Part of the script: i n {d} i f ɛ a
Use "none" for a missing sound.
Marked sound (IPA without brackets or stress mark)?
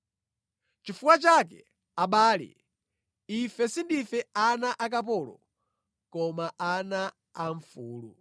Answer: d